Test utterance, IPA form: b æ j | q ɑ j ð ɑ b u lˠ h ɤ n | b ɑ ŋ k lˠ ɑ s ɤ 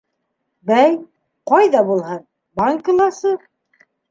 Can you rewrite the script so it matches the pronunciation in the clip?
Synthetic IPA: b æ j | q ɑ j ð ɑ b u lˠ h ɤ n | b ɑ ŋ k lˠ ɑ s ɤ